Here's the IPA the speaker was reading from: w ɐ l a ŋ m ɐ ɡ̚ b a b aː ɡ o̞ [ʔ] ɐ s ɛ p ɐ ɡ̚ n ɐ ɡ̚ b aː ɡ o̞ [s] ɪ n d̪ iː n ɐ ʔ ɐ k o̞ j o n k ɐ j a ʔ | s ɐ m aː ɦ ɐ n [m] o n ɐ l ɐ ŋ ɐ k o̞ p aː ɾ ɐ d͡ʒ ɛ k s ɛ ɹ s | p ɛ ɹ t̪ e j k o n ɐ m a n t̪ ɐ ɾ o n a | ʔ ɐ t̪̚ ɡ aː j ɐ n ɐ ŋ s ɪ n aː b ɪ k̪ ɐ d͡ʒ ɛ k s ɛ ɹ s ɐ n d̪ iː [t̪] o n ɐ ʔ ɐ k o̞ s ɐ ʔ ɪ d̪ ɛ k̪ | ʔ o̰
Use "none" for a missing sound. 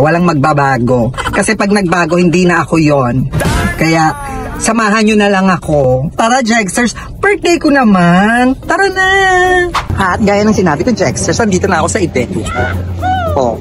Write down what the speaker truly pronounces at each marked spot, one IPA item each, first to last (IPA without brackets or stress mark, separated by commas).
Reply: k, h, ɲ, t̪